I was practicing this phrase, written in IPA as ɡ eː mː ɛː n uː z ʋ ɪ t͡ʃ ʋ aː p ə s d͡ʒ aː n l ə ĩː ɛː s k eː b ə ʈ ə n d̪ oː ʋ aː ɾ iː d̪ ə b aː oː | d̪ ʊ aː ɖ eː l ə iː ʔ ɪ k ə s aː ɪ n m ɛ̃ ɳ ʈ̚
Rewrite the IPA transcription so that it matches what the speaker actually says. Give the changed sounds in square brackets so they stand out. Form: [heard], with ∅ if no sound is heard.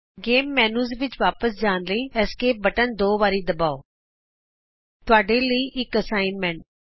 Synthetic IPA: ɡ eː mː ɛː n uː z ʋ ɪ t͡ʃ ʋ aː p ə s d͡ʒ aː n l ə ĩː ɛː s k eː b ə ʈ ə n d̪ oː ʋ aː ɾ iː d̪ ə b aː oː | [t̪] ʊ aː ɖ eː l ə iː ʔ ɪ k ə s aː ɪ n m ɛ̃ ɳ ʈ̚